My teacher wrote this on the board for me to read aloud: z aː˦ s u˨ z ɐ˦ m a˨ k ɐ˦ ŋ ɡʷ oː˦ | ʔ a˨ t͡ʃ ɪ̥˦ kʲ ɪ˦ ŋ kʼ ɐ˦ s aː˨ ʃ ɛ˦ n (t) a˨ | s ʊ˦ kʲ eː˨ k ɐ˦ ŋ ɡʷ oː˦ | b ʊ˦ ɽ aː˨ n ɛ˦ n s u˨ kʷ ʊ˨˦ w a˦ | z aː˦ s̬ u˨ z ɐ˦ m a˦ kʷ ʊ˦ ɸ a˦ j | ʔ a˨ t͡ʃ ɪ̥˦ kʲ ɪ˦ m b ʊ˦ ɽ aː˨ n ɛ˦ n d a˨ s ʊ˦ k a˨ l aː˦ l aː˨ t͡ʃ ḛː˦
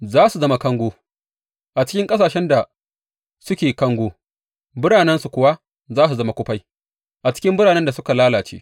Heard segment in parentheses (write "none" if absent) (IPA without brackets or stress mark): d